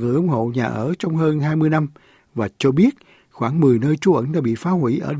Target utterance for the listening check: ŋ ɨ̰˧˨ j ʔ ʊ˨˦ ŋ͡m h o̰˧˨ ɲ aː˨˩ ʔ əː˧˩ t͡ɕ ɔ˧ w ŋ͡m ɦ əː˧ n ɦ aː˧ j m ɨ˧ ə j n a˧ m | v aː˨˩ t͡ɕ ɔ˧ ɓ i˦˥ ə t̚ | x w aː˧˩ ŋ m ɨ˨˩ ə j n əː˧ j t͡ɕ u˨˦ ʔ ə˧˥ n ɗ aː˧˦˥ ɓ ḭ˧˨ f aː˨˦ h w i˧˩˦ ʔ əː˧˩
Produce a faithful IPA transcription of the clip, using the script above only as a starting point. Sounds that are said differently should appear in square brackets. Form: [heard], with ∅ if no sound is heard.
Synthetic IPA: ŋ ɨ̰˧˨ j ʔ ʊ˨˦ ŋ͡m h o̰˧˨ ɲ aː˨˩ ʔ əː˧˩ t͡ɕ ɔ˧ w ŋ͡m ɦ əː˧ n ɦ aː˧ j m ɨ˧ ə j n a˧ m | v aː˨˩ t͡ɕ ɔ˧ ɓ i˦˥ ə t̚ | x w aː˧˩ ŋ m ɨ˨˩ ə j n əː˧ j t͡ɕ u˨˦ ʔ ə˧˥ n ɗ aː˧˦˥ ɓ ḭ˧˨ f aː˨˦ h w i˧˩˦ ʔ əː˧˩